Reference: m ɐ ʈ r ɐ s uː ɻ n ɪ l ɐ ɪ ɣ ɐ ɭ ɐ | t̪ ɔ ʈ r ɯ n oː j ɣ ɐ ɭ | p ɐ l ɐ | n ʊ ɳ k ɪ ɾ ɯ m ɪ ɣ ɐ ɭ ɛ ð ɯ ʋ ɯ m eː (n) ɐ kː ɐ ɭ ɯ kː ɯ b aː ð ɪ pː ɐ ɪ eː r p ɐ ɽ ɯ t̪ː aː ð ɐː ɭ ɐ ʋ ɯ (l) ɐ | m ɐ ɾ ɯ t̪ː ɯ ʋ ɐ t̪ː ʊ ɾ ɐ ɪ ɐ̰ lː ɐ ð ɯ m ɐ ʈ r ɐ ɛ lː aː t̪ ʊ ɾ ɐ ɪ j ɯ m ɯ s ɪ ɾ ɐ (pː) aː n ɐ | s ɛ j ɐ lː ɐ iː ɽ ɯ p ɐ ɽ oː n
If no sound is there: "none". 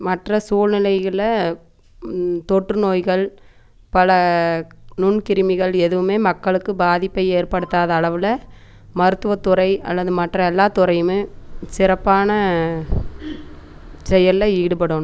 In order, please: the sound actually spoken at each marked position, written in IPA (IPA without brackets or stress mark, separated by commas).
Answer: m, l, pː